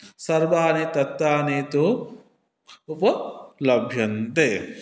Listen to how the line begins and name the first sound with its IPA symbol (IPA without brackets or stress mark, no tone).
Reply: s